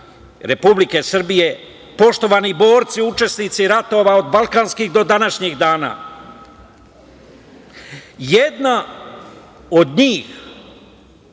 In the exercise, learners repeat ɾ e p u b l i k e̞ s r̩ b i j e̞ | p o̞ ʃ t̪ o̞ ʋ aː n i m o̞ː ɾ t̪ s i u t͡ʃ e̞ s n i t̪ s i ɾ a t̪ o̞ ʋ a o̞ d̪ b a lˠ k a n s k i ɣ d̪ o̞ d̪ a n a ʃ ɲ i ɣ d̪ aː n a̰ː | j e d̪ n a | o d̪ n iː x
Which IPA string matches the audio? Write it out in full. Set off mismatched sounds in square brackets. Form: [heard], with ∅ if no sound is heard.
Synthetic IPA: ɾ e p u b l i k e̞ s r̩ b i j e̞ | p o̞ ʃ t̪ o̞ ʋ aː n i [b] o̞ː ɾ t̪ s i u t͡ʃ e̞ s n i t̪ s i ɾ a t̪ o̞ ʋ a o̞ d̪ b a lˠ k a n s k i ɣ d̪ o̞ d̪ a n a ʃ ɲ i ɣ d̪ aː n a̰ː | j e d̪ n a | o d̪ [ɲ] iː x